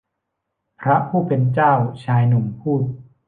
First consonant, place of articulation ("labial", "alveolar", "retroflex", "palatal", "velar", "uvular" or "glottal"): labial